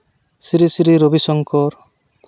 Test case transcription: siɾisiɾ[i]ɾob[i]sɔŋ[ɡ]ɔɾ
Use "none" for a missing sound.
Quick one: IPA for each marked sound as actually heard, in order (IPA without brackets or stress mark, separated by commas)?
i, i, k